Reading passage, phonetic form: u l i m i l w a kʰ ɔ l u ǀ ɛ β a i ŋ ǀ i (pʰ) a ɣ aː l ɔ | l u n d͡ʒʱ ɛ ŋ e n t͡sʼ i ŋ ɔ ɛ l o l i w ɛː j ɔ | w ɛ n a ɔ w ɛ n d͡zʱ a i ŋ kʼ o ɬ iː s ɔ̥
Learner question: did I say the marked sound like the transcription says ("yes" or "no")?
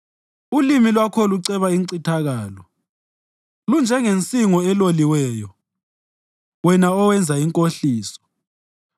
no